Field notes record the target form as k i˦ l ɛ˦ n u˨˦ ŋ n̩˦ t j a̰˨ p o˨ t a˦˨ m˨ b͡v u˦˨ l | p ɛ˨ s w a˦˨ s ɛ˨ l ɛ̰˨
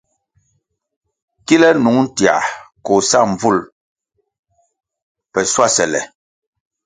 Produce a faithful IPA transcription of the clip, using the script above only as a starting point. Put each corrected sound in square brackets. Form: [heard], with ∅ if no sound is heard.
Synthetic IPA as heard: k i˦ l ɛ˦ n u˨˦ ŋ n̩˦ t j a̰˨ [k] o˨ [s] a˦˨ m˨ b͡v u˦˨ l | p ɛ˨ s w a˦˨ s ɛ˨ l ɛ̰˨

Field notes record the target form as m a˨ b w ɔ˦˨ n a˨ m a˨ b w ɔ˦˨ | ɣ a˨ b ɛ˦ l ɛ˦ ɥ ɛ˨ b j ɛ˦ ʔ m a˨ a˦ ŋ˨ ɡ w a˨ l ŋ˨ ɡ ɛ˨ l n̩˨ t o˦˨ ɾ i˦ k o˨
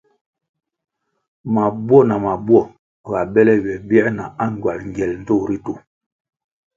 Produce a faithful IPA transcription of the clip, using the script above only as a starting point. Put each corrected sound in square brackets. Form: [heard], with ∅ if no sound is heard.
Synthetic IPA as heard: m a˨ b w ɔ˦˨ n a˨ m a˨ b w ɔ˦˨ | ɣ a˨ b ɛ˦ l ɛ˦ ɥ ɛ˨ b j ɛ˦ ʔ [n] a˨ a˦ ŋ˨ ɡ w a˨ l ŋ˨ ɡ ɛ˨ l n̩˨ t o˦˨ ɾ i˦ [t] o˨

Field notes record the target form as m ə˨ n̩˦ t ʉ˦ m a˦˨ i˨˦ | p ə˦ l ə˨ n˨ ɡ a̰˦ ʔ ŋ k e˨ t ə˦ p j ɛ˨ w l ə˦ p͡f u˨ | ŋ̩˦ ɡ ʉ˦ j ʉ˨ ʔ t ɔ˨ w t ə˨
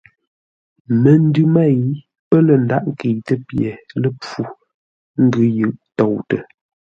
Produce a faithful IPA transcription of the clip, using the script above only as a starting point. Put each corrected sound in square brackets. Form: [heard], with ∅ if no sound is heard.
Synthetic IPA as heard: m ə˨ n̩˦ [d] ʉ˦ m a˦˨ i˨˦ | p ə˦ l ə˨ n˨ [d] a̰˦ ʔ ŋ k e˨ t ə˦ p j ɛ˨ [∅] l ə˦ p͡f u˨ | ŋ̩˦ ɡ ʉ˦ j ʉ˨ ʔ t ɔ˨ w t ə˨

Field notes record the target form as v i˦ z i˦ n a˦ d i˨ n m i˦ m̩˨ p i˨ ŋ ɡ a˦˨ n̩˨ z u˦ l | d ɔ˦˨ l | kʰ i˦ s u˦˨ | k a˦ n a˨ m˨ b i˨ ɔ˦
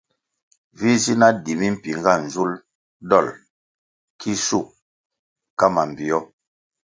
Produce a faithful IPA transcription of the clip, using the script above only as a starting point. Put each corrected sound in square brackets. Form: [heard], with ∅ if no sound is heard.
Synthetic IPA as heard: v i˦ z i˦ n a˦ d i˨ [∅] m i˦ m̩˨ p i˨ ŋ ɡ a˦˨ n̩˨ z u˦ l | d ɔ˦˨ l | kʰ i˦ s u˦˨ | k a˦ [m] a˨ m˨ b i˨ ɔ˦

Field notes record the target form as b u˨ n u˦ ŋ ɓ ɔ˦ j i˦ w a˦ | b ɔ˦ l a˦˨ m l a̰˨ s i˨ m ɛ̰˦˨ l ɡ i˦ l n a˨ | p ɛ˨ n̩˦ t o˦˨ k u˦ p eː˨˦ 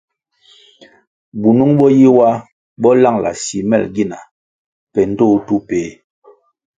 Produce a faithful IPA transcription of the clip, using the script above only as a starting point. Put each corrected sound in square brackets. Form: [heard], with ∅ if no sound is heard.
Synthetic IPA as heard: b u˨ n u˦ ŋ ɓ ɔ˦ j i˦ w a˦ | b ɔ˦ l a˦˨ [ŋ] l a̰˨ s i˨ m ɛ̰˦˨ l ɡ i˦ [∅] n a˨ | p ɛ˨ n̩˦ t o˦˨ [t] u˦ p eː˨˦

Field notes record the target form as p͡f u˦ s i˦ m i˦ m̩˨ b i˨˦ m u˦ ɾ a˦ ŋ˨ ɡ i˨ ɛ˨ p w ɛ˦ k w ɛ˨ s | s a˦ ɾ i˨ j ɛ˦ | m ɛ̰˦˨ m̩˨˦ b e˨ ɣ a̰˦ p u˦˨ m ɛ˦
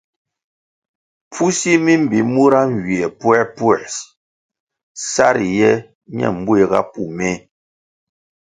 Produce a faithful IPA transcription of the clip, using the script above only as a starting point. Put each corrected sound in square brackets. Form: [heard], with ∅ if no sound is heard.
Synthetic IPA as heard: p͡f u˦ s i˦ m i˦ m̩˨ b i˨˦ m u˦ ɾ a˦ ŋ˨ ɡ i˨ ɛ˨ p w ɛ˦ [p] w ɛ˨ s | s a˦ ɾ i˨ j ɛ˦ | [ɲ] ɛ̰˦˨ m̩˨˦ b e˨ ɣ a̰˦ p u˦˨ m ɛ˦

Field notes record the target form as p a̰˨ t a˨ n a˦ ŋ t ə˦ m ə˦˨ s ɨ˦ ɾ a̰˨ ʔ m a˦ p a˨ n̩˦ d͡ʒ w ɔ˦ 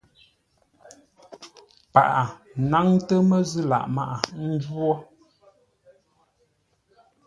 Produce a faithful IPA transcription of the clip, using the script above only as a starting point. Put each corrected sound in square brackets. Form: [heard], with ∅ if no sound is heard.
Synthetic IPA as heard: p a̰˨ [ʔ] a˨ n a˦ ŋ t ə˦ m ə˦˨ [z] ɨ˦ [l] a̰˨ ʔ m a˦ [ʔ] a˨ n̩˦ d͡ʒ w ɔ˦

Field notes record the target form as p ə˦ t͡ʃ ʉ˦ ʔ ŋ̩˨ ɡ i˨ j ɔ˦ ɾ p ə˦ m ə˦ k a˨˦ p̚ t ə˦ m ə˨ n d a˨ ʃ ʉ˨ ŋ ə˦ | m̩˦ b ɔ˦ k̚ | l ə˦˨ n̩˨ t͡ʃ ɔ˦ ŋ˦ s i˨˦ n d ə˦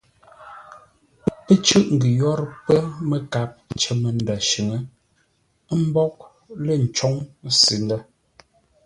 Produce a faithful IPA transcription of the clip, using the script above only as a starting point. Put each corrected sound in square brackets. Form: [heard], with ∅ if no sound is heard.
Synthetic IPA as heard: p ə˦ t͡ʃ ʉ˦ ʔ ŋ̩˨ ɡ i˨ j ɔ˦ ɾ p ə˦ m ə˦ k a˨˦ p̚ [t͡ʃ] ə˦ m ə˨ n d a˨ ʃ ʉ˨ ŋ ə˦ | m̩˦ b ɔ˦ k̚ | l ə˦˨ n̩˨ t͡ʃ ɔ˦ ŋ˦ s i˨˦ n d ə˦

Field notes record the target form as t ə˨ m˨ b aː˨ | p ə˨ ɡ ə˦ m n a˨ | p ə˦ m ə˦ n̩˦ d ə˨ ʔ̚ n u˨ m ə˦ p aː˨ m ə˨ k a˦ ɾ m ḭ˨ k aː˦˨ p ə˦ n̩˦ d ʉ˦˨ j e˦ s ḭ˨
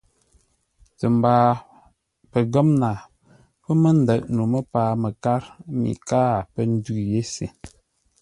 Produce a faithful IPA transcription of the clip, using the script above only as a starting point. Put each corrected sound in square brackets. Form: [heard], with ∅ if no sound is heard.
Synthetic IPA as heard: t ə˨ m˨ b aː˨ | p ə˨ ɡ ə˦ m n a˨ | p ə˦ m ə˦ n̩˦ d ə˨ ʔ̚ n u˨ m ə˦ p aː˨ m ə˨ k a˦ ɾ m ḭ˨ k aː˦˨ p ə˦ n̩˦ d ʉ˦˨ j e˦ s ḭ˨

